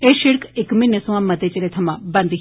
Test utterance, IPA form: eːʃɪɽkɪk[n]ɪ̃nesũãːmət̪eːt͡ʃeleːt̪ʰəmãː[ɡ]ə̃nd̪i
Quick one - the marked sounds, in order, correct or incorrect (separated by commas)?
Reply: incorrect, incorrect